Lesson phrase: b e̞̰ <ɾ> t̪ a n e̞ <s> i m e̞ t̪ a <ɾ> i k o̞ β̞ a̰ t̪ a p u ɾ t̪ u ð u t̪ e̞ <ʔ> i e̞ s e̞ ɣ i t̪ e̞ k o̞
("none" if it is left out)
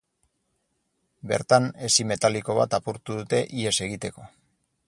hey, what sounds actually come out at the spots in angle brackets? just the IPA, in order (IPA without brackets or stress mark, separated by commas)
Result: ɾ, s, l, ʔ